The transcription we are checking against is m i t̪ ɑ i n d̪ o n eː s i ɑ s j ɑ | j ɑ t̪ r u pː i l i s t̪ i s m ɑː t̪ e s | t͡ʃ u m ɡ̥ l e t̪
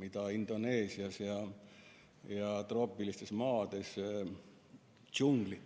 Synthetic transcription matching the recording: m i t̪ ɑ i n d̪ o n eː s i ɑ s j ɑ | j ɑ t̪ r o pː i l i s t̪ e s m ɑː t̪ e s | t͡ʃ u ŋ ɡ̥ l i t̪